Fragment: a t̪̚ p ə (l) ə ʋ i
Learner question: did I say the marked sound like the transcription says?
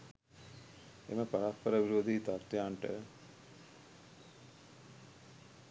no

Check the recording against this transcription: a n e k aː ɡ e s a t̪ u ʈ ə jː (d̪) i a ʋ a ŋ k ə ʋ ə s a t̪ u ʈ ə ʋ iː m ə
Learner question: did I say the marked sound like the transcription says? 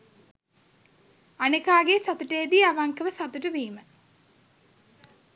yes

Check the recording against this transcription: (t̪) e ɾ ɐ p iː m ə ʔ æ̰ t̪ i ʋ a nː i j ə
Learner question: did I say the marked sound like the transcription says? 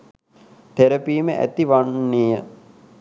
yes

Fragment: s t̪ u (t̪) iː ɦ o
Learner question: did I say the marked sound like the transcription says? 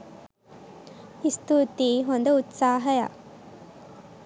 yes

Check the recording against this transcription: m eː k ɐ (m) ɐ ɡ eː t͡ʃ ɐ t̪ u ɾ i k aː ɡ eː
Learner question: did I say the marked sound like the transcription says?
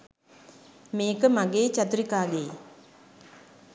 yes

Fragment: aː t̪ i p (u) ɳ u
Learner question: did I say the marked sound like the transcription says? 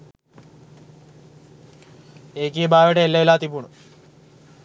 yes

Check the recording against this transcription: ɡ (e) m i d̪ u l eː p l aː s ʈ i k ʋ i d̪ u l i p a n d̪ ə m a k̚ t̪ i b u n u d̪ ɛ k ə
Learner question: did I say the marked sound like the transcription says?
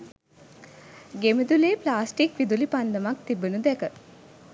yes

